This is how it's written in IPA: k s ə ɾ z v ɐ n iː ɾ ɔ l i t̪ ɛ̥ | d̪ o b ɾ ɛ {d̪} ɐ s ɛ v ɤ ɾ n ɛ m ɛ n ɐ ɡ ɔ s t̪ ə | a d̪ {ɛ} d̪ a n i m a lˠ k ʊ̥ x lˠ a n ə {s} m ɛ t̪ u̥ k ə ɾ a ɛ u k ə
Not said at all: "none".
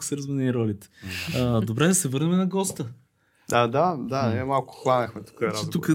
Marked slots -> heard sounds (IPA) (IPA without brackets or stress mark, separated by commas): d̪, a, x